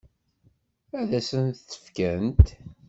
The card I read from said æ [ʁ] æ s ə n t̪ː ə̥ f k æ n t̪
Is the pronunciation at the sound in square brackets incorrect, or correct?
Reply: incorrect